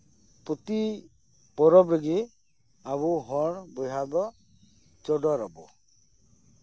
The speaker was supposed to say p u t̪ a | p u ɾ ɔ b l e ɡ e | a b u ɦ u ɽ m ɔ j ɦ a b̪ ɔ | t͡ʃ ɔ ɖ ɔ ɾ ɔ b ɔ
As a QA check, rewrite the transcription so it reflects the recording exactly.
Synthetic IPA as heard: p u t̪ i | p ɔ ɾ ɔ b ɾ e ɡ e | a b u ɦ ɔ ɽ b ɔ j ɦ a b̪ ɔ | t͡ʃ ɔ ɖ ɔ ɾ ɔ b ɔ